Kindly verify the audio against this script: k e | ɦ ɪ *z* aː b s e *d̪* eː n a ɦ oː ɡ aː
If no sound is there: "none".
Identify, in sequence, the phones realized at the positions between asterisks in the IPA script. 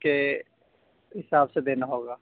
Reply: s, d̪

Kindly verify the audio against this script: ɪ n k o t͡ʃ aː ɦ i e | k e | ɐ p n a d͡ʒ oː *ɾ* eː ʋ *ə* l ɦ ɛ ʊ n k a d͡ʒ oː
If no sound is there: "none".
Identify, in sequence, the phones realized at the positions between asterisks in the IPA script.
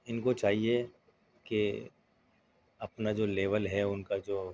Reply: l, ə

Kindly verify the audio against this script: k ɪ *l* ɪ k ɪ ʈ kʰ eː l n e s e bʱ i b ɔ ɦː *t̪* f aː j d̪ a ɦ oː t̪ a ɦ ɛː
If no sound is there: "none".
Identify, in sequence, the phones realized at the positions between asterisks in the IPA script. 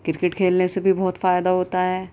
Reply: ɾ, t̪

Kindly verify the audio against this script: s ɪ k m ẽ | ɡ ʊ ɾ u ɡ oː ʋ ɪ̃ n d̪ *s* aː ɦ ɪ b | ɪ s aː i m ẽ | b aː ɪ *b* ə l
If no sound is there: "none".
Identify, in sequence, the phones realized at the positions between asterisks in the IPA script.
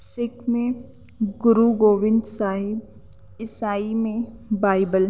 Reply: s, b

